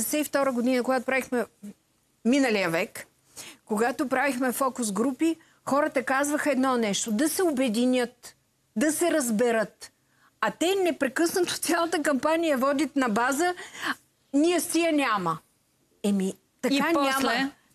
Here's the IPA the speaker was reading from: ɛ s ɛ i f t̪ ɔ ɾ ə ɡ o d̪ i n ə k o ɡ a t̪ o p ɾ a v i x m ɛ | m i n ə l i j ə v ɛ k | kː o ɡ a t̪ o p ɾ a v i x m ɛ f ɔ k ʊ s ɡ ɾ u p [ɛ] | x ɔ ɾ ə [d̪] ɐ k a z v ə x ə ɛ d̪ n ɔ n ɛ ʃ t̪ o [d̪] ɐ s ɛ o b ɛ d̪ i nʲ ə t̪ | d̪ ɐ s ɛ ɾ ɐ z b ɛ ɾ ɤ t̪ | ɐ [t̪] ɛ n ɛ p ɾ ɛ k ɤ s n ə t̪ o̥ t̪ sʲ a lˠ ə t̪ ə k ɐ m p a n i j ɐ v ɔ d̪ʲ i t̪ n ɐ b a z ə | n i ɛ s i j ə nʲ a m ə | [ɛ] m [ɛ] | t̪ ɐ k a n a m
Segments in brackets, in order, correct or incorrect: incorrect: i, incorrect: t̪, correct, correct, correct, incorrect: i

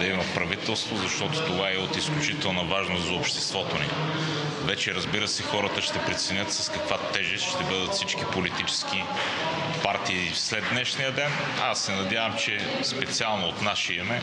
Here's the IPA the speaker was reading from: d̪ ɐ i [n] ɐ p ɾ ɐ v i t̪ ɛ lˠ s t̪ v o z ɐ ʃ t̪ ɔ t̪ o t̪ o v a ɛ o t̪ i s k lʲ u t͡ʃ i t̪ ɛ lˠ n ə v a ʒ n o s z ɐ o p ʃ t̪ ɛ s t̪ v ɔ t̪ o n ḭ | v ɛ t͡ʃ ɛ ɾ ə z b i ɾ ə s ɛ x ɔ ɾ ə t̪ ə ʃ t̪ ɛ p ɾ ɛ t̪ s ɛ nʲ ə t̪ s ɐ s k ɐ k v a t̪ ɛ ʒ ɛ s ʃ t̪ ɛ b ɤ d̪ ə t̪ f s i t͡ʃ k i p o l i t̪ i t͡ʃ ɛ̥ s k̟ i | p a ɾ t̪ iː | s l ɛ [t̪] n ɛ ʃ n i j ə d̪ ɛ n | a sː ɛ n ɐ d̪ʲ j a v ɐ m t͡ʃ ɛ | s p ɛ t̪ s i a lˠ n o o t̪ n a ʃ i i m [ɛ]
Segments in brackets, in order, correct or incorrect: incorrect: m, incorrect: d̪, correct

